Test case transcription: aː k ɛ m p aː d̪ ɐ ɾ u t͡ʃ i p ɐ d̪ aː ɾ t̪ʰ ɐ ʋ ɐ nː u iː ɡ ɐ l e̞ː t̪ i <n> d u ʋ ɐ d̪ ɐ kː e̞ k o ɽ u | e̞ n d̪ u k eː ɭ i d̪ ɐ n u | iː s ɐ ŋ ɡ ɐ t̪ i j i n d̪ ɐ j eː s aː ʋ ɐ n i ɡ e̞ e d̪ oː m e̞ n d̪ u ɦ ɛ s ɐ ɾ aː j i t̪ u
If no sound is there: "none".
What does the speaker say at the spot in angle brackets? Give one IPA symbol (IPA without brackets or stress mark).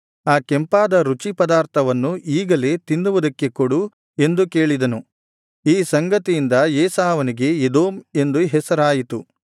n